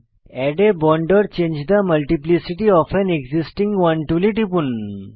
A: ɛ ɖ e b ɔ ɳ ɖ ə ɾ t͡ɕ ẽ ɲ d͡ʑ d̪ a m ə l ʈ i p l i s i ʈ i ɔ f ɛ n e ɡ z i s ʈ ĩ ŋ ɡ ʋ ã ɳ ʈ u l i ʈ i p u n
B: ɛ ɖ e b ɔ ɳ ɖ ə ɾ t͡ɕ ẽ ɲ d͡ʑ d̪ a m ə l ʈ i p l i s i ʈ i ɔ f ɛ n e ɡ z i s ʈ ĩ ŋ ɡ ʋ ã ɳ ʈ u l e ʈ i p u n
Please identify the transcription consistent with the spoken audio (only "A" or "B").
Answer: A